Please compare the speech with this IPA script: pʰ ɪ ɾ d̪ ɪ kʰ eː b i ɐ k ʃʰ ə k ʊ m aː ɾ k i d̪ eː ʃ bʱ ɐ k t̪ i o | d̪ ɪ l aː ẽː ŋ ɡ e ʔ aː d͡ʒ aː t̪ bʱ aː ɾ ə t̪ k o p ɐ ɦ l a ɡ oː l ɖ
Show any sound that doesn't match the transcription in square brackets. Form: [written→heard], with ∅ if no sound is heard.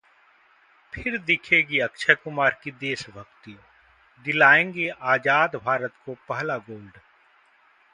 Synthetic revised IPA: pʰ ɪ ɾ d̪ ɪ kʰ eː [b→ɡ] i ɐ k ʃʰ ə k ʊ m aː ɾ k i d̪ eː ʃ bʱ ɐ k t̪ i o | d̪ ɪ l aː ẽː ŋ ɡ e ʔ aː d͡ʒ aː [t̪→d̪] bʱ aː ɾ ə t̪ k o p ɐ ɦ l a ɡ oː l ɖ

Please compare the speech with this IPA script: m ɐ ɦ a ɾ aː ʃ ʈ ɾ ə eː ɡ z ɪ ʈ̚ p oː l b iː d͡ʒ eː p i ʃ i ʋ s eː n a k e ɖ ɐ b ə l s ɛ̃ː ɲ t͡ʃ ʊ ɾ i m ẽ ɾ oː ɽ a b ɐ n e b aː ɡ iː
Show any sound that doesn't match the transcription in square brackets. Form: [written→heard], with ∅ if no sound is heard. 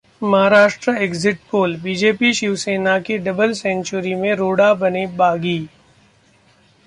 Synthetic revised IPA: m ɐ ɦ a ɾ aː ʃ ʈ ɾ ə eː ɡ z ɪ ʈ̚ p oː l b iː d͡ʒ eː p i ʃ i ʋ s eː n a k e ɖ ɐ b ə l s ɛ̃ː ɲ t͡ʃ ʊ ɾ i m ẽ ɾ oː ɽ a b ɐ n e b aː ɡ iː

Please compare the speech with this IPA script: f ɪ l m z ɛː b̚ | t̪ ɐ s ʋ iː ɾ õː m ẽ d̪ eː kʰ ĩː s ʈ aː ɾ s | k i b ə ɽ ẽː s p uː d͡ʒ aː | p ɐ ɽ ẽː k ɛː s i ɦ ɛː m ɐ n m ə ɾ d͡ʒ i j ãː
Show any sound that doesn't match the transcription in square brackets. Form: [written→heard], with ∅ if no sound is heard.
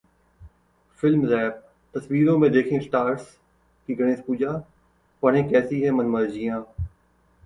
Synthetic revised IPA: f ɪ l m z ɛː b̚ | t̪ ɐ s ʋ iː ɾ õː m ẽ d̪ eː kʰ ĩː s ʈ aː ɾ s | k i [b→ɡ] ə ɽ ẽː s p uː d͡ʒ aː | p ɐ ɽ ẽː k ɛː s i ɦ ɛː m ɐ n m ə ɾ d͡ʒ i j ãː

